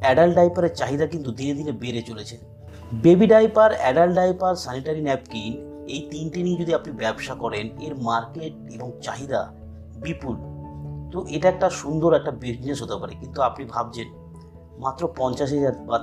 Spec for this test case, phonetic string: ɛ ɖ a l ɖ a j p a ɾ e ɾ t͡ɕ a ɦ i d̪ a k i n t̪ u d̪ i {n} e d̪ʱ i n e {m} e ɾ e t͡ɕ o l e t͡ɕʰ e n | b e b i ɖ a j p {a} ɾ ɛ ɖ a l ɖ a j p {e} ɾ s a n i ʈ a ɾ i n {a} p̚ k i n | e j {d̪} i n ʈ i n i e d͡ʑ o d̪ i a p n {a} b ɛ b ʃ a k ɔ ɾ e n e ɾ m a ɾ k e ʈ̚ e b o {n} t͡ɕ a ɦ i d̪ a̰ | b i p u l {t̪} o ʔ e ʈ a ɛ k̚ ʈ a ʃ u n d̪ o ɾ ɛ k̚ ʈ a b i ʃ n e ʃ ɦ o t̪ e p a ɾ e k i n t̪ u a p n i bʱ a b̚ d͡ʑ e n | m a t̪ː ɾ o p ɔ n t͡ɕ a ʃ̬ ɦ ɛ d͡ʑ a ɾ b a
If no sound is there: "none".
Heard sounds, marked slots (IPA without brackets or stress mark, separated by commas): n, b, a, a, ɛ, t̪, i, ŋ, t̪